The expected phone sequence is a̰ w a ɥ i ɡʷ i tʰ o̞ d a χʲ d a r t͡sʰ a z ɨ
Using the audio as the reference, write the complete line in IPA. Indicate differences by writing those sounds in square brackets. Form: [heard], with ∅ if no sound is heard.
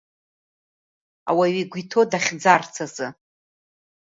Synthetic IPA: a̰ w a ɥ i ɡʷ i tʰ o̞ d a χʲ [d͡z] a r t͡sʰ a z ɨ